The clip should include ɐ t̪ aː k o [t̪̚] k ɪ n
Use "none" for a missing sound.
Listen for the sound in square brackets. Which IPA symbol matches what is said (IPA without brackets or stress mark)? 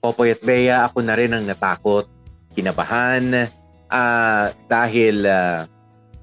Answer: t̪̚